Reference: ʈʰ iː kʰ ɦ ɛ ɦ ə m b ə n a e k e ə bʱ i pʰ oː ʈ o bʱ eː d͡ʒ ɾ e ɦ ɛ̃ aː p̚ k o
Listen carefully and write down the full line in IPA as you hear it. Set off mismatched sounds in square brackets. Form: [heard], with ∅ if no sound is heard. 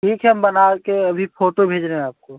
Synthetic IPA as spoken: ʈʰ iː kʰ ɦ ɛ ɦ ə m b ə n a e k e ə bʱ i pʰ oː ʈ o bʱ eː d͡ʒ ɾ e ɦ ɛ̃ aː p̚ k o